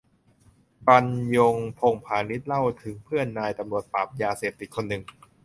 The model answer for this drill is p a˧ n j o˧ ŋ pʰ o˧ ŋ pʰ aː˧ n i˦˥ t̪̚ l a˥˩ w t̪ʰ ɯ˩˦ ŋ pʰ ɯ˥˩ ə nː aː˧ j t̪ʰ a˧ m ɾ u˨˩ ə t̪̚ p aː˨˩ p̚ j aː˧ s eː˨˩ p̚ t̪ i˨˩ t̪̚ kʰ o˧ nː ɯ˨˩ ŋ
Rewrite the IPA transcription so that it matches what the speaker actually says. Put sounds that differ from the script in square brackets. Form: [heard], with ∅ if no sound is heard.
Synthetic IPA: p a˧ n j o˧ ŋ pʰ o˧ ŋ pʰ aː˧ n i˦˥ t̪̚ l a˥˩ w t̪ʰ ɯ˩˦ ŋ pʰ ɯ˥˩ ə nː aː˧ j [t̪] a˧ m ɾ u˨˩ ə t̪̚ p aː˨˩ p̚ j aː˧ s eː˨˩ p̚ t̪ i˨˩ t̪̚ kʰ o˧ nː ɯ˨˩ ŋ